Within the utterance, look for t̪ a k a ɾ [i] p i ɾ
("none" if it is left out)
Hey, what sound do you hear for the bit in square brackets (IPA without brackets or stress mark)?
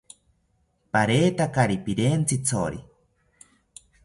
i